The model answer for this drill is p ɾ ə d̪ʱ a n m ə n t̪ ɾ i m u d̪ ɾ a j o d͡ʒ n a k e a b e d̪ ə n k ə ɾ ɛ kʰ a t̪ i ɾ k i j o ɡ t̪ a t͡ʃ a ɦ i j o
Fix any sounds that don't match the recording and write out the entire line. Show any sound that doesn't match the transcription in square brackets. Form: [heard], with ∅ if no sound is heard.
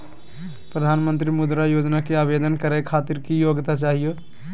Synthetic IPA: p ɾ ə d̪ʱ a n m ə n t̪ ɾ i m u d̪ ɾ a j o d͡ʒ n a k e a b e d̪ ə n k ə ɾ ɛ kʰ a t̪ i ɾ k i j o ɡ t̪ a t͡ʃ a ɦ i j o